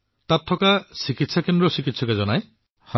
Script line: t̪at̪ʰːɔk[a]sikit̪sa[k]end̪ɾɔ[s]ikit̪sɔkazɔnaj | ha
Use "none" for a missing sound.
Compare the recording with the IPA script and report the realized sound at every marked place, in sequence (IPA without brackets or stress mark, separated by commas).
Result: a, k, s